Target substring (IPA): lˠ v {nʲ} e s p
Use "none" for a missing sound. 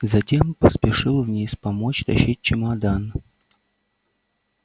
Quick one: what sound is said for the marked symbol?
nʲ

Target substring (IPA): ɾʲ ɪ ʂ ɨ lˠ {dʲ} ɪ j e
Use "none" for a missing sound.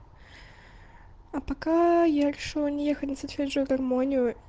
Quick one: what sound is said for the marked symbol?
nʲ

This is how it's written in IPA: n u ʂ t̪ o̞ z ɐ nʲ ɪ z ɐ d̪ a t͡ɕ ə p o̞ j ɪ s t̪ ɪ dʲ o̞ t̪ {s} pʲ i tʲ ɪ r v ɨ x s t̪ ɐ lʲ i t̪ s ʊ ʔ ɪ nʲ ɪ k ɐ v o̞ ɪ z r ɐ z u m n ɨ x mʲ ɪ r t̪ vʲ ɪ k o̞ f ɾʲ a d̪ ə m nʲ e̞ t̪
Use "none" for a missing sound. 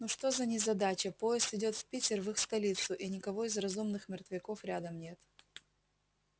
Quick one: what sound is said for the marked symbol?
f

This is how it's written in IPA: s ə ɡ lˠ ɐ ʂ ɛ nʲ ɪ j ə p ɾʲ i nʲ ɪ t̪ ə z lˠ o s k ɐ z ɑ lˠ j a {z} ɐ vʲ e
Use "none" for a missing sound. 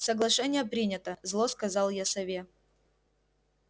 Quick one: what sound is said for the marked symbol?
s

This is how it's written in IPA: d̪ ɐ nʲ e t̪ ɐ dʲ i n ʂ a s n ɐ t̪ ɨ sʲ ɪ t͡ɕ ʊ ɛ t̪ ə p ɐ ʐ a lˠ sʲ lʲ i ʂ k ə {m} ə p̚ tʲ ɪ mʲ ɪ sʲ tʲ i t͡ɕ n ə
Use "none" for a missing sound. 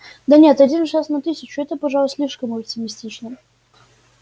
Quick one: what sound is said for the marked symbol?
m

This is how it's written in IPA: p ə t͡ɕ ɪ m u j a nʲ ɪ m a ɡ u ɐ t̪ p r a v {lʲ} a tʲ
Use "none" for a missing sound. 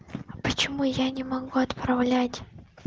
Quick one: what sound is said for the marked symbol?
lʲ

